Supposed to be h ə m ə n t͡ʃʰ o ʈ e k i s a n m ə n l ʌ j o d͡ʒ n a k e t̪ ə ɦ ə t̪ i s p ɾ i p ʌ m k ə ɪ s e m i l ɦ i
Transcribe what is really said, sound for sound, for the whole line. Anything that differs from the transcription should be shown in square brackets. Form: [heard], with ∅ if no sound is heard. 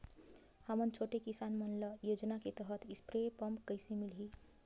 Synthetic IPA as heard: h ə m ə n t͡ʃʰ o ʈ e k i s a n m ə n l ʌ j o d͡ʒ n a k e t̪ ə ɦ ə t̪ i s p ɾ [e] p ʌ m k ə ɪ s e m i l ɦ i